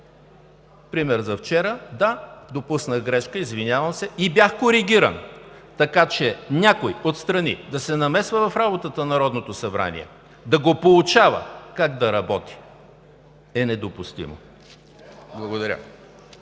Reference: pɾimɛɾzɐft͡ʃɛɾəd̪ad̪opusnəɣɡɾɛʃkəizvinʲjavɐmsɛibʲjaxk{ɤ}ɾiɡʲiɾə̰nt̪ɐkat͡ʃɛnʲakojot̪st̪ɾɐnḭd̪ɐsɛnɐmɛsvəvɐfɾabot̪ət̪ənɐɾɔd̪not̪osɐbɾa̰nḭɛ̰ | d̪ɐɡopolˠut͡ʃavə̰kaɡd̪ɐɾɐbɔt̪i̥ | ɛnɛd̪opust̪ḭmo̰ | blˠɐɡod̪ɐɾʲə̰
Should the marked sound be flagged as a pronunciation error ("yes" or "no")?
yes